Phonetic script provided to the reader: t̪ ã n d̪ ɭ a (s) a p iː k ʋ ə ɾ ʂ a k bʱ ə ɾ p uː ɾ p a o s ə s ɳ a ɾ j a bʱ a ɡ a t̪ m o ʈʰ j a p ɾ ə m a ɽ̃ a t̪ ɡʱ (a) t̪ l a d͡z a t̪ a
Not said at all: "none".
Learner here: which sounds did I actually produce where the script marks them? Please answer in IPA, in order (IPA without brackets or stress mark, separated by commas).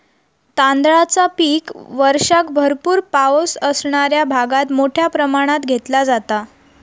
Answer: t͡s, e